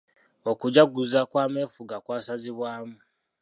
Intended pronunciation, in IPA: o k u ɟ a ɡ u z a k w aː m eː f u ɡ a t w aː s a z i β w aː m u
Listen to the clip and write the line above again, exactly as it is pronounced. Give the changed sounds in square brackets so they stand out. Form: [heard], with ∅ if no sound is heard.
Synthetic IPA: o k u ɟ a ɡ u z a k w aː m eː f u ɡ a [k] w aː s a z i β w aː m u

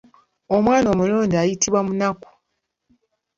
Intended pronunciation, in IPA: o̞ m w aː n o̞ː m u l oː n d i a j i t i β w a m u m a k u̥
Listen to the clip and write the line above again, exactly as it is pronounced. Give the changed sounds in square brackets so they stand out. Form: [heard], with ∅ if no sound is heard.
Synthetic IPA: o̞ m w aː n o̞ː m u l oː n d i a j i t i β w a m u [n] a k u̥

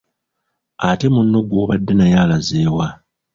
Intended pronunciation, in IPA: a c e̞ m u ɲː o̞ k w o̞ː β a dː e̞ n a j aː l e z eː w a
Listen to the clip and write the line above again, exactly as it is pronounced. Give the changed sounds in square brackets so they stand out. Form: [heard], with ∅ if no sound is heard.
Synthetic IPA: a [t] e̞ m u [nː] o̞ [ɡ] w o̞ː β a dː e̞ n a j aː l [a] z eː w a

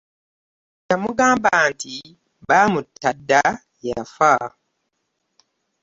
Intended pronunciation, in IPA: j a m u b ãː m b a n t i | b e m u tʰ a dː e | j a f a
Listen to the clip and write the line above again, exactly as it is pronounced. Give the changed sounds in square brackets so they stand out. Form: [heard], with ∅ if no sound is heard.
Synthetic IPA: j a m u [ɡ] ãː m b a n t i | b [a] m u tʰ a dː [a] | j a f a

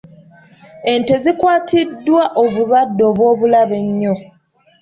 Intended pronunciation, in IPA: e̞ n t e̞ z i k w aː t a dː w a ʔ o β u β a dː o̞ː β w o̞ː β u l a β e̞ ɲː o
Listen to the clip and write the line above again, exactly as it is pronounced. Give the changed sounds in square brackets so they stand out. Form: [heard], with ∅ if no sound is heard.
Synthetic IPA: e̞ n t e̞ z i k w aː t [i] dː w a ʔ o β u β a dː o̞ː β w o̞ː β u l a β e̞ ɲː o

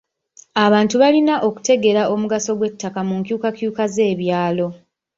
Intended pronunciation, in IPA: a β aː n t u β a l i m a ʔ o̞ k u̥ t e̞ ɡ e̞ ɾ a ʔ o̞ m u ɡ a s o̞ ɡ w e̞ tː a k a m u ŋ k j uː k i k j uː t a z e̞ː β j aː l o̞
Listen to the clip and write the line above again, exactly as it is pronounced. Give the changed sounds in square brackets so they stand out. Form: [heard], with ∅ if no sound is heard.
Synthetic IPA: a β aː n t u β a l i [n] a ʔ o̞ k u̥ t e̞ ɡ e̞ ɾ a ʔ o̞ m u ɡ a s o̞ ɡ w e̞ tː a k a m u ŋ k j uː k [a] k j uː [k] a z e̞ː β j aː l o̞

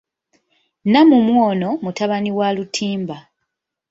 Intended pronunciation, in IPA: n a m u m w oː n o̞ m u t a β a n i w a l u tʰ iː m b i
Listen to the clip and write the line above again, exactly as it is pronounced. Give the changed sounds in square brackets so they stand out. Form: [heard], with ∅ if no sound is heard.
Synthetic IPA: n a m u m w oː n o̞ m u t a β a n i w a l u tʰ iː m b [a]

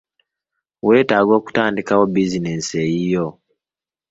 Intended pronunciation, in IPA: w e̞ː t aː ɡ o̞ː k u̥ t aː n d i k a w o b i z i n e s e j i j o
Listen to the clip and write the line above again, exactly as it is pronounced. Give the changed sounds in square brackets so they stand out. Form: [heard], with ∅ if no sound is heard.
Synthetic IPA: w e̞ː t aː ɡ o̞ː k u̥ t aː n d i k a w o b i z i n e s e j i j o

